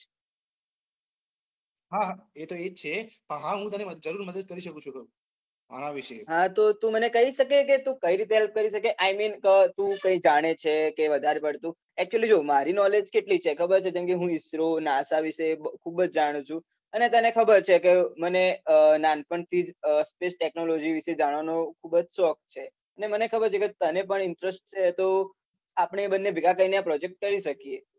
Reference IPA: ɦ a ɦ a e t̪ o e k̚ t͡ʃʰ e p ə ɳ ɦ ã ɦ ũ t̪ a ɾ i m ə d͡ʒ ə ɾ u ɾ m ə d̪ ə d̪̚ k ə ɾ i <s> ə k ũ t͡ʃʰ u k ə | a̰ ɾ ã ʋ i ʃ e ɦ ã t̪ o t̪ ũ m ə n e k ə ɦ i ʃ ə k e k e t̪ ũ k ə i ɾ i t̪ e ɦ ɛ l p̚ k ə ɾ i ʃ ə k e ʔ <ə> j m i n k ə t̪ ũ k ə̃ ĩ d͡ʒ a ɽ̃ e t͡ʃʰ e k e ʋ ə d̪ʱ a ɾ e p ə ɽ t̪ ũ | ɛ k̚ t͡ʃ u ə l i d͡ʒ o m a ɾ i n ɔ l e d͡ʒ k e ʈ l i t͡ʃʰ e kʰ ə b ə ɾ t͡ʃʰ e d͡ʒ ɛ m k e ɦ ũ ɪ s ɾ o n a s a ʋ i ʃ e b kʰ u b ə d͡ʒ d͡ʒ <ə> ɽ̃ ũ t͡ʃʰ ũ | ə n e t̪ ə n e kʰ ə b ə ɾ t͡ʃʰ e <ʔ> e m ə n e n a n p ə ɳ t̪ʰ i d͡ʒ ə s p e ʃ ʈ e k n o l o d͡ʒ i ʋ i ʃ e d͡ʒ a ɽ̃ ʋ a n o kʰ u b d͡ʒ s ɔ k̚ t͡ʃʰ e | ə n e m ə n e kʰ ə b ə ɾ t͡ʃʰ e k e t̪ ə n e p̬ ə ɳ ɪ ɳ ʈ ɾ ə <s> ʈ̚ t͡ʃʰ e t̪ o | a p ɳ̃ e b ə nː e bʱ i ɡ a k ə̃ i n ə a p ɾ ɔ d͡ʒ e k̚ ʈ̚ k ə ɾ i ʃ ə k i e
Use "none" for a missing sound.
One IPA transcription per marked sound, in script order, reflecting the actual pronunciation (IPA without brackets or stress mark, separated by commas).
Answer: ʃ, a, a, k, s